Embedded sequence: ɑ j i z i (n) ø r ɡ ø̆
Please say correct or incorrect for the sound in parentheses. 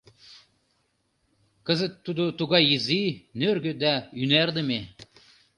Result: correct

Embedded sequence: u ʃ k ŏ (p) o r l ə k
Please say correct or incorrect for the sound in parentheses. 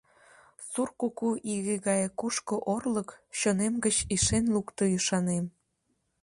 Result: incorrect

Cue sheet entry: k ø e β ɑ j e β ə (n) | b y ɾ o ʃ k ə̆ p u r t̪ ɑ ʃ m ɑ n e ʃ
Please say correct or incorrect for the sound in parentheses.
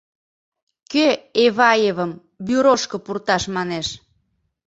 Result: incorrect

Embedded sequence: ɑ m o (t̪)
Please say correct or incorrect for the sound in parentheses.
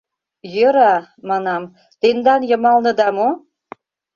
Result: incorrect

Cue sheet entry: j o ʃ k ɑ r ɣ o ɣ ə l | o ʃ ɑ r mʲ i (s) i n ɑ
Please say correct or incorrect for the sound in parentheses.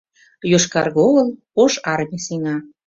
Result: correct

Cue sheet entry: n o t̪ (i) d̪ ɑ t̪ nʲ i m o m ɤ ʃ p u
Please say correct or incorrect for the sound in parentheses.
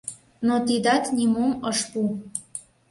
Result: correct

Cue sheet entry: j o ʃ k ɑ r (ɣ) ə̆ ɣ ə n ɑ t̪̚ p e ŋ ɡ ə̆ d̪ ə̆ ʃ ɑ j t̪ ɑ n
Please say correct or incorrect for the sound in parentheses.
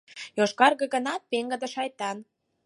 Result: correct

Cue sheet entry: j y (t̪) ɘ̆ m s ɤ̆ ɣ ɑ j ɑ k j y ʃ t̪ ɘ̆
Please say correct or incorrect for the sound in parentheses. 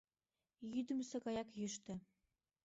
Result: incorrect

